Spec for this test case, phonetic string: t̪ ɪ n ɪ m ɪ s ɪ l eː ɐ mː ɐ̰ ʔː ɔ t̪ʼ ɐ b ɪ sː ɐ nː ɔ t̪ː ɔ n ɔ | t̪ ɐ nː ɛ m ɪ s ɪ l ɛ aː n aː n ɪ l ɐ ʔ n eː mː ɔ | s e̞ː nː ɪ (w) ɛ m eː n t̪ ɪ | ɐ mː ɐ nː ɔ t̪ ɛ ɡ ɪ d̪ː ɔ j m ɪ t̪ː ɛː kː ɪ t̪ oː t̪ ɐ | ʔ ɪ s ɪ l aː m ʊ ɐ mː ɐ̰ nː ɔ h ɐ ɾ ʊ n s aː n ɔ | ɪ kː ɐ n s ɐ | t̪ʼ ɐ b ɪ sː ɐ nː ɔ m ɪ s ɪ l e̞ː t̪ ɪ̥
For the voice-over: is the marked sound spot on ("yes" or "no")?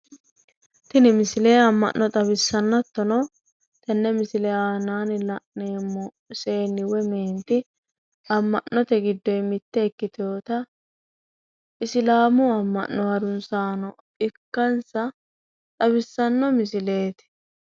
yes